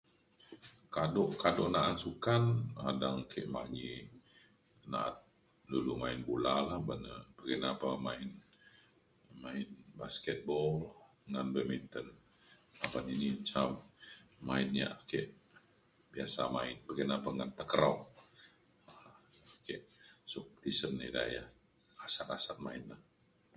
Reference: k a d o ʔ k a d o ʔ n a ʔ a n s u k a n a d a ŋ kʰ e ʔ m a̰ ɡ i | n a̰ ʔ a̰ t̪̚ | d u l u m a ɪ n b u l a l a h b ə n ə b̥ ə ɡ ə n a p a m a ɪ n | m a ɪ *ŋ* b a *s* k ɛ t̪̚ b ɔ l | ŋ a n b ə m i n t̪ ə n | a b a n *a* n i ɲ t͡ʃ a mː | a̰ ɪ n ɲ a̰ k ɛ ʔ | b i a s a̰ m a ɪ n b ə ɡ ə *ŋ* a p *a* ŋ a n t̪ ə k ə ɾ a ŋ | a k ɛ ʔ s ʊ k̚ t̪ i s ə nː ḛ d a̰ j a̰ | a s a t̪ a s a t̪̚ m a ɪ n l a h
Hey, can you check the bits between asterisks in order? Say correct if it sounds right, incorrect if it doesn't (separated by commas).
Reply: incorrect, correct, incorrect, incorrect, correct